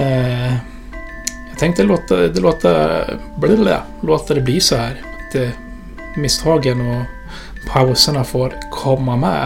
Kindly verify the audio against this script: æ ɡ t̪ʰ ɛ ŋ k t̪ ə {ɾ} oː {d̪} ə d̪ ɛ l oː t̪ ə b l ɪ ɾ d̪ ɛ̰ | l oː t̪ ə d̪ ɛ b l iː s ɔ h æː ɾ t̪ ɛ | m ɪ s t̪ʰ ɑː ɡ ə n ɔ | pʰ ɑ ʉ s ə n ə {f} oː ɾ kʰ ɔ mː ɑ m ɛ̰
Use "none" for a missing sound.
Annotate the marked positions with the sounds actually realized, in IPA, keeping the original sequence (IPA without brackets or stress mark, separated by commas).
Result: l, t̪, f